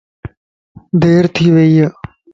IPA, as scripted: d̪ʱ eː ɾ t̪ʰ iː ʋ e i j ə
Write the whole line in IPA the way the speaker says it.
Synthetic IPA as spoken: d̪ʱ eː ɾ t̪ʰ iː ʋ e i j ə